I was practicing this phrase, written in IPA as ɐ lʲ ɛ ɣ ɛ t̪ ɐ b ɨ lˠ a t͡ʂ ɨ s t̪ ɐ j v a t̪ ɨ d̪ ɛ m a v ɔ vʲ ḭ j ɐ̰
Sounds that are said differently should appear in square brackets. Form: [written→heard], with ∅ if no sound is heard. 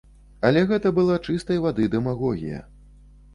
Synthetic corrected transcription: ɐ lʲ ɛ ɣ ɛ t̪ ɐ b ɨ lˠ a t͡ʂ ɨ s t̪ ɐ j v a [t̪→d̪] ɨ d̪ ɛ m a [v→ɣ] ɔ [vʲ→ɣʲ] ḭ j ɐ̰